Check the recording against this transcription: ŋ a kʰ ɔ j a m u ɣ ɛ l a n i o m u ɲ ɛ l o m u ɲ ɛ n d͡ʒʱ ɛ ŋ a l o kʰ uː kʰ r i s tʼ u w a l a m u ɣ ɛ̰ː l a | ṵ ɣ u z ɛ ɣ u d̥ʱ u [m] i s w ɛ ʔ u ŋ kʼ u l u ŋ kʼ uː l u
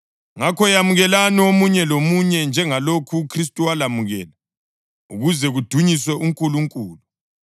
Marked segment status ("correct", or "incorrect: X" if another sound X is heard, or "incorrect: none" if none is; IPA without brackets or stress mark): incorrect: ɲ